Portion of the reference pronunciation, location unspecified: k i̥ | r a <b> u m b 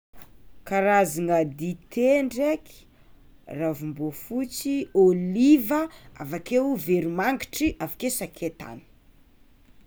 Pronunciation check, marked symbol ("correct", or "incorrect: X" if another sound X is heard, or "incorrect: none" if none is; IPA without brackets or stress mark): incorrect: v